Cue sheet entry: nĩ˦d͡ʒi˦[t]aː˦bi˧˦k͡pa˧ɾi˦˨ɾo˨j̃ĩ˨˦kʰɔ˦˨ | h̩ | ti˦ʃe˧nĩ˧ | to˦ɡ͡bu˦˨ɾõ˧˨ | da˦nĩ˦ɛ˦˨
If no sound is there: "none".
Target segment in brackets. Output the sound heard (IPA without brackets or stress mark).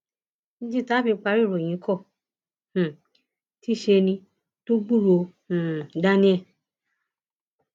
t